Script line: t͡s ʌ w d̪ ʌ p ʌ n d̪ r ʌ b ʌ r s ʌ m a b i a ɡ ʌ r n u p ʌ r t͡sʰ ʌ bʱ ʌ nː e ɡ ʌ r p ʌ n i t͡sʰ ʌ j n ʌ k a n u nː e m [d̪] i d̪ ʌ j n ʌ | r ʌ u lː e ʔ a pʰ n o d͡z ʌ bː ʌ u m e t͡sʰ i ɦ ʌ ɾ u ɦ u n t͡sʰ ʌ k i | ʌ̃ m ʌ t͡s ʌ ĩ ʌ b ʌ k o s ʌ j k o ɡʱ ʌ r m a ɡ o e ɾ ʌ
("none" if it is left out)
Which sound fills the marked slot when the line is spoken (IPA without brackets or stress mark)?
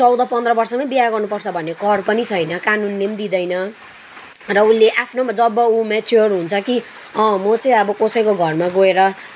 d̪